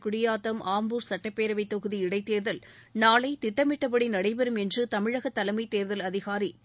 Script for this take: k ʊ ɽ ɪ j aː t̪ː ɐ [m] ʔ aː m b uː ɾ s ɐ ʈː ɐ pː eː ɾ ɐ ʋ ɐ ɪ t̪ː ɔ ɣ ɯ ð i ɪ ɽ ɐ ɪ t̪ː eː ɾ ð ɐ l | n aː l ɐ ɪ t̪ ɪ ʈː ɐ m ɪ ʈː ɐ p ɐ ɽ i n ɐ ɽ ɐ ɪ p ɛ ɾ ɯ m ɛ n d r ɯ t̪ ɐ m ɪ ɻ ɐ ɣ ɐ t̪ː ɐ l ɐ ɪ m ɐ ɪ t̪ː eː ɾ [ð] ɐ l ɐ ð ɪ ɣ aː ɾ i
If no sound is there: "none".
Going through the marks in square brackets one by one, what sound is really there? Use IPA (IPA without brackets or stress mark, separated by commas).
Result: m, ð